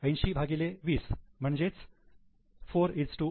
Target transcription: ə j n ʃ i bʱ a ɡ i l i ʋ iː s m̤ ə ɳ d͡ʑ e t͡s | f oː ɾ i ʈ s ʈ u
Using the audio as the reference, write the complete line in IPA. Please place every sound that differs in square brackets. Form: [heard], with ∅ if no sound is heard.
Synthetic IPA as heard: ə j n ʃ i bʱ a ɡ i l [e] ʋ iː s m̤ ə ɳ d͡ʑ e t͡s | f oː ɾ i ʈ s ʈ u